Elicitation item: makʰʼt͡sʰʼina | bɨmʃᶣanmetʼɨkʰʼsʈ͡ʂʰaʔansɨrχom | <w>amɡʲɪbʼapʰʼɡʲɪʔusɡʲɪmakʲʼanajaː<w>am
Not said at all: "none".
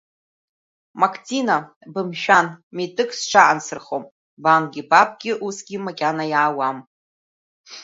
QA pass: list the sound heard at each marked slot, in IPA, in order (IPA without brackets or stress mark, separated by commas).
b, w